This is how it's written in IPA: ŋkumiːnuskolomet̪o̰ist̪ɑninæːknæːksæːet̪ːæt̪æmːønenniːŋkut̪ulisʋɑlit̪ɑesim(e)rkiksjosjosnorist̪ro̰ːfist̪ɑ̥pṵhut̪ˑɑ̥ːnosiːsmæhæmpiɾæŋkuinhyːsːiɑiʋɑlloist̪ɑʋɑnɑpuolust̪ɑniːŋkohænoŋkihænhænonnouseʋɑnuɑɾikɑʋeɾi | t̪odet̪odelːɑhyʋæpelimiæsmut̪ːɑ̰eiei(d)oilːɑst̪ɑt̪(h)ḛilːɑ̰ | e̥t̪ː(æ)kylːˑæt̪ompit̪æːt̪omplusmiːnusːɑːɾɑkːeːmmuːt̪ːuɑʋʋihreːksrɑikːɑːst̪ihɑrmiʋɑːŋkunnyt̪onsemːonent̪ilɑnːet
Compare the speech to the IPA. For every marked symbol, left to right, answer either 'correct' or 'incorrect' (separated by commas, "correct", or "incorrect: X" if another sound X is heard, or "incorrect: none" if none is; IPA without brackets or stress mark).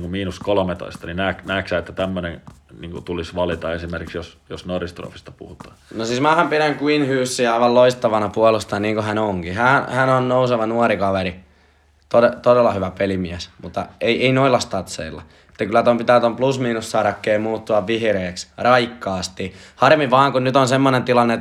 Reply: correct, incorrect: n, incorrect: s, correct